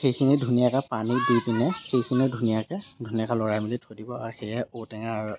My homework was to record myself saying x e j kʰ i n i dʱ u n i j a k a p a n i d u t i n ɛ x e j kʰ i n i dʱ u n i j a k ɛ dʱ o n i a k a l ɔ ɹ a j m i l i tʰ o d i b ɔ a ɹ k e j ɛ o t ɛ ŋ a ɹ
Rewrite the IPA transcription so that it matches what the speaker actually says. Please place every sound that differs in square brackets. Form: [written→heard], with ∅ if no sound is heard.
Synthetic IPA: x e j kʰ i n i dʱ u n i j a k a p a n i d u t i n ɛ x e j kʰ i n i dʱ u n i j a k ɛ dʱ [o→u] n i a k a l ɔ ɹ a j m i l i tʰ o d i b ɔ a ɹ [k→x] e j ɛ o t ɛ ŋ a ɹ